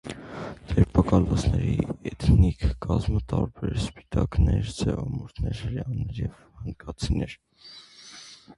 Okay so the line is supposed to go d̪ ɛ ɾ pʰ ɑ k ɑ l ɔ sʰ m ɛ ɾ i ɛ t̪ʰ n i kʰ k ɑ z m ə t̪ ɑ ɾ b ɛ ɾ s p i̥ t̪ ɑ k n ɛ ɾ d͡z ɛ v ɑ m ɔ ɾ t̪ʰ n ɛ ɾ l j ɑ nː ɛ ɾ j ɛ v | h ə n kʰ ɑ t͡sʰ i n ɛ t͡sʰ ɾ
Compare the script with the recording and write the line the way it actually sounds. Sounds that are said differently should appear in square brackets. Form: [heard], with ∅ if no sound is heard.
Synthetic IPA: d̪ ɛ ɾ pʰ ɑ k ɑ l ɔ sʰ [n] ɛ ɾ i ɛ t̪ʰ n i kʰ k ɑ z m ə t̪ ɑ ɾ b ɛ ɾ s p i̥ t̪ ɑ k n ɛ ɾ d͡z ɛ v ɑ m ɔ ɾ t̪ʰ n ɛ ɾ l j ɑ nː ɛ ɾ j ɛ v | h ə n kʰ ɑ t͡sʰ i n ɛ [∅] ɾ